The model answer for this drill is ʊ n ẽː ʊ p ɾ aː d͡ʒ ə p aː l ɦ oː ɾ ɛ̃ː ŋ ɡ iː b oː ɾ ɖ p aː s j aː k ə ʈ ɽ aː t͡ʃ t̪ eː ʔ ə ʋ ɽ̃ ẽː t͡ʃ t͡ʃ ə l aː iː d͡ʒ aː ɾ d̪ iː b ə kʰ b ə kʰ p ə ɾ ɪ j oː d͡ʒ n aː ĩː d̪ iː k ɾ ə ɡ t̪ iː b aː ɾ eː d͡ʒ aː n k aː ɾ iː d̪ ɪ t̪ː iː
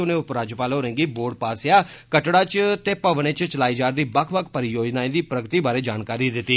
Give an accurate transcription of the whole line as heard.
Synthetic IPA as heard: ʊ n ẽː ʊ p ɾ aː d͡ʒ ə p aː l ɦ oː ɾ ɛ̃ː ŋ ɡ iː b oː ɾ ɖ p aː s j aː k ə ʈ ɽ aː t͡ʃ t̪ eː p ə ʋ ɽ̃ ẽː t͡ʃ t͡ʃ ə l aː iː d͡ʒ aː ɾ d̪ iː b ə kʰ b ə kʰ p ə ɾ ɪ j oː d͡ʒ n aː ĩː d̪ iː p ɾ ə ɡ t̪ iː b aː ɾ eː d͡ʒ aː n k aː ɾ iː d̪ ɪ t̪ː iː